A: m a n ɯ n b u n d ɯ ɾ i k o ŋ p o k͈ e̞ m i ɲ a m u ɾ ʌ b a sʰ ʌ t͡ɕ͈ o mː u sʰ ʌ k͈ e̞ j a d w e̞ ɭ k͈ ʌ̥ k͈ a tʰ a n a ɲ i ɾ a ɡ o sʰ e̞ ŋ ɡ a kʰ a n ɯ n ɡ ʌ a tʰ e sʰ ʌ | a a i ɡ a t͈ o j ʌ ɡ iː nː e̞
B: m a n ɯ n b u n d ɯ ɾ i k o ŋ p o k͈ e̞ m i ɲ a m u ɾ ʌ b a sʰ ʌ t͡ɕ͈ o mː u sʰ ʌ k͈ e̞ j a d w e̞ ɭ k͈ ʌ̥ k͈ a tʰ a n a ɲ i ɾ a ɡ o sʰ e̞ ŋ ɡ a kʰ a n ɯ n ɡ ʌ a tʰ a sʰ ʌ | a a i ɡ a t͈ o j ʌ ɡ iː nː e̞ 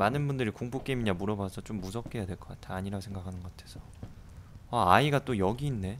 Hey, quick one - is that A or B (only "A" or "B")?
A